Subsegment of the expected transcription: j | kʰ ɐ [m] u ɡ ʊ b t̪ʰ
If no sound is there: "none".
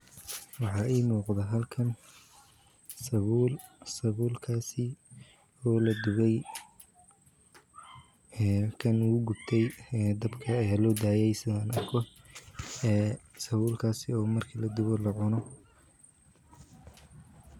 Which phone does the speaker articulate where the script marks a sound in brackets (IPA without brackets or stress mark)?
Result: n